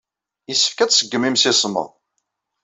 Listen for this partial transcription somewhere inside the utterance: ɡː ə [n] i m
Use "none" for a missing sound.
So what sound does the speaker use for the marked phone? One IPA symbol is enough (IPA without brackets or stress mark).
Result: m